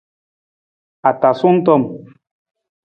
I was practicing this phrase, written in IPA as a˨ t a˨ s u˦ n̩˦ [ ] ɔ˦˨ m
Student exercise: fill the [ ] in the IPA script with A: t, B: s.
A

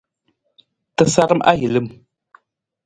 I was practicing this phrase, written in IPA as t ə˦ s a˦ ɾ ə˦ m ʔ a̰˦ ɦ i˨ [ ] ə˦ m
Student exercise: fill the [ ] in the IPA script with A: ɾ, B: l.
B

